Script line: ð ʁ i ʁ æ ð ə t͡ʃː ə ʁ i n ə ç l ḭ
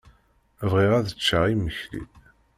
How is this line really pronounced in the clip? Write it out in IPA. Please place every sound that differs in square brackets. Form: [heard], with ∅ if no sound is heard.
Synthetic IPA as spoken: [v] ʁ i ʁ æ ð ə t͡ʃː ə ʁ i [m] ə ç l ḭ

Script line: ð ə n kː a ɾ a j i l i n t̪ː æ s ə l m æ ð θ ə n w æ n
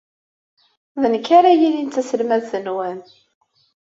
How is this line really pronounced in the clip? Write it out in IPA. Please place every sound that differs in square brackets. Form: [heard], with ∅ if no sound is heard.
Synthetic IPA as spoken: ð ə n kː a ɾ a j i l i n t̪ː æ s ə l m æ ð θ ə n w æ n

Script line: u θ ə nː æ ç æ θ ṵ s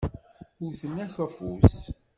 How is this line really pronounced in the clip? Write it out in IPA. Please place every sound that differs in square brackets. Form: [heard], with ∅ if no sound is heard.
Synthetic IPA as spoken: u θ ə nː æ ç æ [f] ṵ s

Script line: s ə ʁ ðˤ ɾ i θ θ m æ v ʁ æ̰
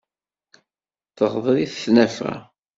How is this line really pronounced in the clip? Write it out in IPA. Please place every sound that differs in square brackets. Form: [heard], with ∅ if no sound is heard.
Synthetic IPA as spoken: [θ] ə ʁ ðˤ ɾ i θ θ [n] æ [f] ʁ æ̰

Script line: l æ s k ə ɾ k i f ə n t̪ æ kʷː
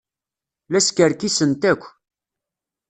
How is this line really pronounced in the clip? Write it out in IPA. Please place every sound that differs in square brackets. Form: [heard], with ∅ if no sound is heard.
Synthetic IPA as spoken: l æ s k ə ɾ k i [s] ə n t̪ æ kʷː

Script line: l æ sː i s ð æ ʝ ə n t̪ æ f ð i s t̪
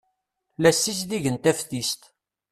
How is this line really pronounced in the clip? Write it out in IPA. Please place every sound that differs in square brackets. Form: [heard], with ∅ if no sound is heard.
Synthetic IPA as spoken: l æ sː i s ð [i] ʝ ə n t̪ æ f [θ] i s t̪

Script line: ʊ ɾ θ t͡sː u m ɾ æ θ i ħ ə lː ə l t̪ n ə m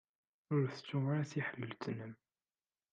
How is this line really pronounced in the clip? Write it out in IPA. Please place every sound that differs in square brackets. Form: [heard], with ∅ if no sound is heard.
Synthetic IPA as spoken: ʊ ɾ θ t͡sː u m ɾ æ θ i ħ ə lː ə l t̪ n ə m

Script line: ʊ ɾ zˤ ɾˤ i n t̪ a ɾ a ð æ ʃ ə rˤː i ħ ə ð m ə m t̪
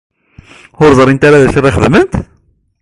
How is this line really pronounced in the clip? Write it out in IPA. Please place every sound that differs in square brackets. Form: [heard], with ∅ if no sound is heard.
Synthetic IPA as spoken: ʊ ɾ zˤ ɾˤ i n t̪ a ɾ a ð æ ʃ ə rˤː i [χ] ə ð m ə [n] t̪

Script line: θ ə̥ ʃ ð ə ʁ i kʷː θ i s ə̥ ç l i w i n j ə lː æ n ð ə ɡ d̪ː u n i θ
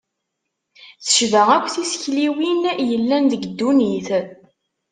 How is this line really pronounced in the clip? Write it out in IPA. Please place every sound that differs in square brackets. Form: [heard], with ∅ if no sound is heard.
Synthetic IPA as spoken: θ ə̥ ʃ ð ə ʁ [æ] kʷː θ i s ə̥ ç l i w i n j ə lː æ n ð ə ɡ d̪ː u n i θ

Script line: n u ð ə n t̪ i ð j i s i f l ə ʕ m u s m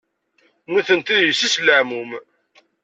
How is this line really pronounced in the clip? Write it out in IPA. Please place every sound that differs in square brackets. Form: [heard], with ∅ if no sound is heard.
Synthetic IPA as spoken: n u [θ] ə n t̪ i ð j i s i [s] l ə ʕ m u [∅] m

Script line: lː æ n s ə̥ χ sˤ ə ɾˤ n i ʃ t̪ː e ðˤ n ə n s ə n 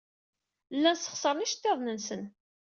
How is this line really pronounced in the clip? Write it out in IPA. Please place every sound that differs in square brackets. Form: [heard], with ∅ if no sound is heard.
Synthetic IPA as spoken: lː æ n s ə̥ χ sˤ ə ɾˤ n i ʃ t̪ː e ðˤ n ə n s ə n

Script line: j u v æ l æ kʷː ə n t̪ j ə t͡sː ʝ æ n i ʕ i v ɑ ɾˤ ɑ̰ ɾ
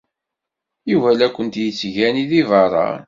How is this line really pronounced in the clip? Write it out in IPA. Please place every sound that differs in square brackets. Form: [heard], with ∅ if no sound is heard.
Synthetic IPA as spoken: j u v æ l æ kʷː ə n t̪ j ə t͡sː ʝ æ n i [ð] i v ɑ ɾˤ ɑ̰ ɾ

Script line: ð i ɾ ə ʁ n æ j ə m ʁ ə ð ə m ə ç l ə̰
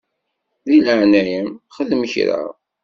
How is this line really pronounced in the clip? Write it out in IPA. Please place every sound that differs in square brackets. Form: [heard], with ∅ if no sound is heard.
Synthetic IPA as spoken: ð i [l] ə [ʕ] n æ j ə m [χ] ə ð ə m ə ç [ɾ] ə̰

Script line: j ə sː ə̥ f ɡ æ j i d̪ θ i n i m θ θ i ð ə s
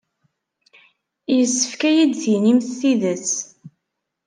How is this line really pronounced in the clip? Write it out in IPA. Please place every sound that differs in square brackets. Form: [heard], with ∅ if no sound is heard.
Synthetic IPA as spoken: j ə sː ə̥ f [k] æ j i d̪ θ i n i m θ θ i ð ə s

